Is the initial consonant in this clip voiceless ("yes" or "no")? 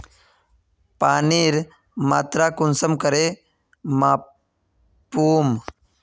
yes